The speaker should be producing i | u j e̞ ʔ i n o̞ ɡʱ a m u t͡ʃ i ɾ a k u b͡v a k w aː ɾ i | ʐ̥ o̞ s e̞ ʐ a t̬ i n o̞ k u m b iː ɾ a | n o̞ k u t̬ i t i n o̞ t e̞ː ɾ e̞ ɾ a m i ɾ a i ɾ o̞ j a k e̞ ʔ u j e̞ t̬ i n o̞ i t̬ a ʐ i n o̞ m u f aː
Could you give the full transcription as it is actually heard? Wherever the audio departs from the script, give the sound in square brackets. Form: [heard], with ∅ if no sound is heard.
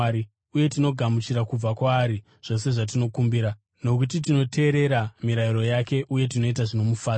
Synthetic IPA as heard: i | u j e̞ [t] i n o̞ ɡʱ a m u t͡ʃ i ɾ a k u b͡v a k w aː ɾ i | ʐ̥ o̞ s e̞ ʐ a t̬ i n o̞ k u m b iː ɾ a | n o̞ k u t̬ i t i n o̞ t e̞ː ɾ e̞ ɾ a m i ɾ a i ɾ o̞ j a k e̞ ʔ u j e̞ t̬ i n o̞ i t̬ a ʐ i n o̞ m u f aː